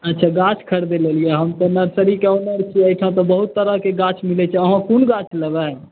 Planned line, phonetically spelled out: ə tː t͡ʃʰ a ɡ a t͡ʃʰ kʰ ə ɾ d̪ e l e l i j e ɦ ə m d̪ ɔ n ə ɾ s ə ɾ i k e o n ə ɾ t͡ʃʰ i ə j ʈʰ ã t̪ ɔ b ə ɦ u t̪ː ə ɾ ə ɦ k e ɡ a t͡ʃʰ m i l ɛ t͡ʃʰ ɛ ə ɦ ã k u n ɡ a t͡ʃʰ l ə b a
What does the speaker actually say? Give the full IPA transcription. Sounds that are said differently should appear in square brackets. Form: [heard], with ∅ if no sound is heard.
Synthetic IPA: ə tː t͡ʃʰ a ɡ a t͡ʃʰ kʰ ə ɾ d̪ e l e l i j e ɦ ə m [t̪] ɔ n ə ɾ s ə ɾ i k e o n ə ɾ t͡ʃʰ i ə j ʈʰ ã t̪ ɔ b ə ɦ u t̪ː ə ɾ ə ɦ k e ɡ a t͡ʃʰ m i l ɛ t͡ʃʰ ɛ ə ɦ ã k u n ɡ a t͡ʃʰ l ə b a